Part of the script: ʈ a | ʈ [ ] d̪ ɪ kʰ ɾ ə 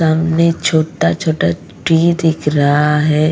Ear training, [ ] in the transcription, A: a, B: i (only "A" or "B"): B